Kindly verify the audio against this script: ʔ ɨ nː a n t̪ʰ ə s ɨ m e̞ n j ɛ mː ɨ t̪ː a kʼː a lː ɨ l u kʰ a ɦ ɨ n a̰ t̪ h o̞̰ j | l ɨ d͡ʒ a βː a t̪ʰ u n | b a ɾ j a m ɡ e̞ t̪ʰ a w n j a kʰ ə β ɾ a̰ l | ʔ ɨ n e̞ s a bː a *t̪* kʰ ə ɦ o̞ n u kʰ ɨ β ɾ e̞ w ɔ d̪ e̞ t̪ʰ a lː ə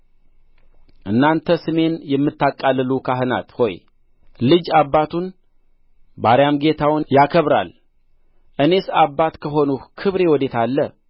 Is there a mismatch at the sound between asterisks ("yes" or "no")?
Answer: no